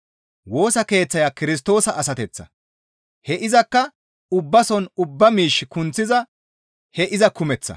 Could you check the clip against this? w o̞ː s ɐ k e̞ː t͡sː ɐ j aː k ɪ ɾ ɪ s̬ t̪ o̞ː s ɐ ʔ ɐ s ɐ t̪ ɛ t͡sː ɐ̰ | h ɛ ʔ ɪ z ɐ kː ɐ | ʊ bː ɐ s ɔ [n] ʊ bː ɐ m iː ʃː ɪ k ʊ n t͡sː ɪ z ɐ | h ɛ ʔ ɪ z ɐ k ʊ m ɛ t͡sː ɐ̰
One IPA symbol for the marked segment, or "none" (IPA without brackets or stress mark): n